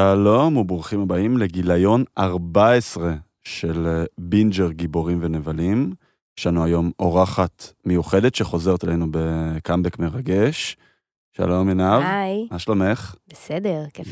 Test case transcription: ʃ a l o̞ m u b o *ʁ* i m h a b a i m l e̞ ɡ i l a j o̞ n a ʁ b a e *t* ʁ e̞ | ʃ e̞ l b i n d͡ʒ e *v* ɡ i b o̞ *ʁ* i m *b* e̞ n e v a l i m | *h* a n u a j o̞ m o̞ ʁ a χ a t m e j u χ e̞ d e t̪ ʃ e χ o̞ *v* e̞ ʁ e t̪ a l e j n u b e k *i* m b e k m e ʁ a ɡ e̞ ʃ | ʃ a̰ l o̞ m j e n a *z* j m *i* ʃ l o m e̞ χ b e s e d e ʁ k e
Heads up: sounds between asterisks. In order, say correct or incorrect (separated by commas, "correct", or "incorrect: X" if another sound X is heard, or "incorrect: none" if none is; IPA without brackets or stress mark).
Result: incorrect: χ, incorrect: s, incorrect: ʁ, correct, incorrect: v, incorrect: ʃ, incorrect: z, incorrect: a, incorrect: v, incorrect: a